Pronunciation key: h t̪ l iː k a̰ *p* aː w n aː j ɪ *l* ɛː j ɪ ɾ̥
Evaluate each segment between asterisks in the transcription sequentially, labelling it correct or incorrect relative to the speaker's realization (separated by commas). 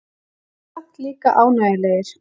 incorrect, correct